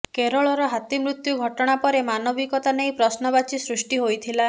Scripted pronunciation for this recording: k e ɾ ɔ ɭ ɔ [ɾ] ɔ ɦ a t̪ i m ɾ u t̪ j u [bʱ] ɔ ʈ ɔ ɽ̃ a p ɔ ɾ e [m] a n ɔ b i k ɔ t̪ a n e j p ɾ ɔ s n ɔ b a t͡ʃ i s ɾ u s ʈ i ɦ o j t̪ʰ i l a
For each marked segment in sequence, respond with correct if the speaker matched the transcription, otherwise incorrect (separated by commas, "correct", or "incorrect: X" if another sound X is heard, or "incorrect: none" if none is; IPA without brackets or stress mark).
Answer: correct, incorrect: ɡʱ, correct